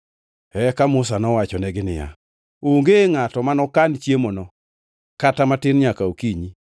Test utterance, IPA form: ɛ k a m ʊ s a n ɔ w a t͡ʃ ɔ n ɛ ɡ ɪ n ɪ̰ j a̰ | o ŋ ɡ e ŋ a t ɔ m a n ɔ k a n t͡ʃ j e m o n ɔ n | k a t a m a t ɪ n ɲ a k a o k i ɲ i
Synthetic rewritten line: ɛ k a m ʊ s a n ɔ w a t͡ʃ ɔ n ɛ ɡ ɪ n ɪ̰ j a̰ | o ŋ ɡ e ŋ a t ɔ m a n ɔ k a n t͡ʃ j e m o n ɔ | k a t a m a t ɪ n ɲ a k a o k i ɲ i